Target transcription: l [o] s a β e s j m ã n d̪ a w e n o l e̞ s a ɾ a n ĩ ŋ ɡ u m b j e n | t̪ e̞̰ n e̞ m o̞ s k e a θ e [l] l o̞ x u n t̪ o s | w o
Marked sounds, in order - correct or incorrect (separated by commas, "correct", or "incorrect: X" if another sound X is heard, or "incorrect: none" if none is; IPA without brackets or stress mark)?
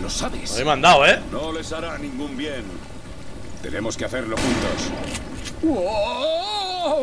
correct, incorrect: ɾ